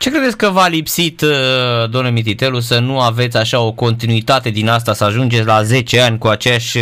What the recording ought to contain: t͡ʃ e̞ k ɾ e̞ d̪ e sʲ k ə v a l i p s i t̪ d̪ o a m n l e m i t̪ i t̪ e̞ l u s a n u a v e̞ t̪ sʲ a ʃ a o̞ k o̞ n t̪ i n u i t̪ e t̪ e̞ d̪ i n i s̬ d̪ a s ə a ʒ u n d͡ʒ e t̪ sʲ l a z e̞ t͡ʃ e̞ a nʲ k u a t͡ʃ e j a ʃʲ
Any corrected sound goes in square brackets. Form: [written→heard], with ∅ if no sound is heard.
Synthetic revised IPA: t͡ʃ e̞ k ɾ e̞ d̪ e sʲ k ə v a l i p s i t̪ d̪ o a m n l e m i t̪ i t̪ e̞ l u s [a→ə] n u a v e̞ t̪ sʲ a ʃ a o̞ k o̞ n t̪ i n u i t̪ [e→a] t̪ e̞ d̪ i n [i→a] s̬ [d̪→t̪] a s ə a ʒ u n d͡ʒ e t̪ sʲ l a z e̞ t͡ʃ e̞ a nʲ k u a t͡ʃ e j a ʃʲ